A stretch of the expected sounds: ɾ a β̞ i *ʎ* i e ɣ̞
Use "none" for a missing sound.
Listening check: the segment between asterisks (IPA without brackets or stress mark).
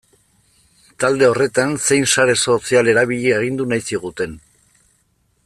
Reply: ʎ